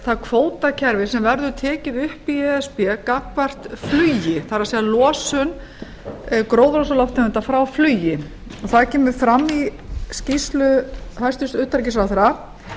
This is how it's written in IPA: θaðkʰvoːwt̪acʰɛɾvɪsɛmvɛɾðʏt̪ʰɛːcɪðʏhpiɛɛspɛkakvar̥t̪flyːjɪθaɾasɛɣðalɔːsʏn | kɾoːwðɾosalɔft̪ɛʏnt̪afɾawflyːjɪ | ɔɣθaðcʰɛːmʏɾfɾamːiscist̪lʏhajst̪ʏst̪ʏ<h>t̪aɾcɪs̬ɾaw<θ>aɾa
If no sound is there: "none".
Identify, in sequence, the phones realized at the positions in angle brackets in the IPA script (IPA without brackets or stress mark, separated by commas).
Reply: h, θ